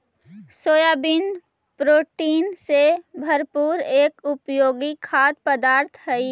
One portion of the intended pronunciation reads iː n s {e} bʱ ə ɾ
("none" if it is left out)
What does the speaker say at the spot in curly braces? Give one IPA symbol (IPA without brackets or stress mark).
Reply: e